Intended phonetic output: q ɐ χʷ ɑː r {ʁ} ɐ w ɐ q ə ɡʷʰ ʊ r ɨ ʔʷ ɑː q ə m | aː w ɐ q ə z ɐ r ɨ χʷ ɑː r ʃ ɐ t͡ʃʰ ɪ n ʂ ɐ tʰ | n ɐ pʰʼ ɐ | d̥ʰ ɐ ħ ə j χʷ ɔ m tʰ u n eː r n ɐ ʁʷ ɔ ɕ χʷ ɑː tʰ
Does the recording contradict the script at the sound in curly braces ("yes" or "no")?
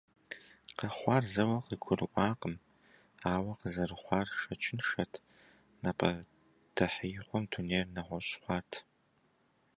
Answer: yes